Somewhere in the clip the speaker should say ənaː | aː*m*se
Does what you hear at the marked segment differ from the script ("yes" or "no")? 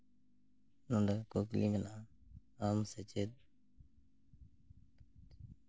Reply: no